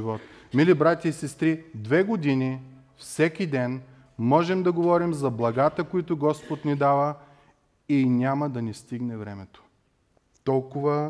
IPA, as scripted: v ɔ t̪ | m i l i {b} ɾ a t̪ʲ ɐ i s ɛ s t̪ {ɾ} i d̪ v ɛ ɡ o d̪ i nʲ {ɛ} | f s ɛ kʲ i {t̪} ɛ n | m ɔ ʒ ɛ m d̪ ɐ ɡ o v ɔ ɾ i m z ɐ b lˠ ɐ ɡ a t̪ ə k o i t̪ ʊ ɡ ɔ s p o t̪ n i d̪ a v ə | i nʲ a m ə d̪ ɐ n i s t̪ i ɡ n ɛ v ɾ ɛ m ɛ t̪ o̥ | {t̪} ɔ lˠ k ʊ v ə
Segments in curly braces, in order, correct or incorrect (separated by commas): correct, correct, incorrect, incorrect, correct